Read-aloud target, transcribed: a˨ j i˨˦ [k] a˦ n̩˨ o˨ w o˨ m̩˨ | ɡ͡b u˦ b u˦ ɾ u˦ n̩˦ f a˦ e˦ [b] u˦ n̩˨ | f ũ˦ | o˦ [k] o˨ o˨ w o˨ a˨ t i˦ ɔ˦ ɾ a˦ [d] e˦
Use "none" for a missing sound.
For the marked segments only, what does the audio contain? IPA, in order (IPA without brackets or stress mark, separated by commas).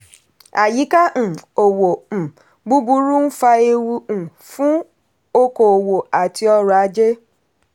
k, w, k, d͡ʒ